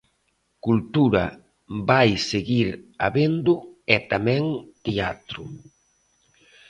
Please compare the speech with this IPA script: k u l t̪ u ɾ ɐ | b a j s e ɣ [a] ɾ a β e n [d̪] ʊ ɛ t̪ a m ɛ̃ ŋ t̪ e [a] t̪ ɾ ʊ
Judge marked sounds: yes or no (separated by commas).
no, yes, yes